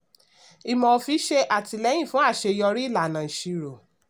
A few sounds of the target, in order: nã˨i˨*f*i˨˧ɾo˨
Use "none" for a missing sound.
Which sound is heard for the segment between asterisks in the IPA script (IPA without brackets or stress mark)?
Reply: ʃ